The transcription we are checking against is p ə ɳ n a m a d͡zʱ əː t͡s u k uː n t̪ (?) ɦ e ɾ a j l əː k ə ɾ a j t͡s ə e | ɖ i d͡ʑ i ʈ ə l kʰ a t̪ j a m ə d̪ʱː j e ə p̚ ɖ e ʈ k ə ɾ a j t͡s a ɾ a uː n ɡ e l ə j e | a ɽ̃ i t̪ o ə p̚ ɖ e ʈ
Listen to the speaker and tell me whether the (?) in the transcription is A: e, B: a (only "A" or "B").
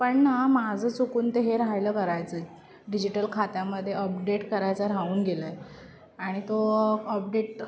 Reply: A